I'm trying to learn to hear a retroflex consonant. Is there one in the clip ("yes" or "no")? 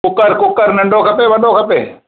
yes